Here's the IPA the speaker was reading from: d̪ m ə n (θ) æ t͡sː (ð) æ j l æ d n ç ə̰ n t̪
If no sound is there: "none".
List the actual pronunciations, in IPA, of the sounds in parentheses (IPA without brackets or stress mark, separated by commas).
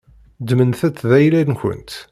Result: θ, ð